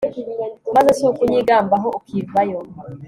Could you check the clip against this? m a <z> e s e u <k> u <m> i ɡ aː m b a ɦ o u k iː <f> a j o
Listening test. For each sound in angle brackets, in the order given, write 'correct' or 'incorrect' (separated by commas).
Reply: correct, correct, incorrect, incorrect